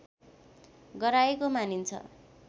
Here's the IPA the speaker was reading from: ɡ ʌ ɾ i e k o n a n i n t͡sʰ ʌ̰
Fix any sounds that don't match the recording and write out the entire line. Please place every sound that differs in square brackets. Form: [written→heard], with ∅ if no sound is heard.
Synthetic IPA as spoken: ɡ ʌ ɾ [i→a] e k o [n→m] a n i n t͡sʰ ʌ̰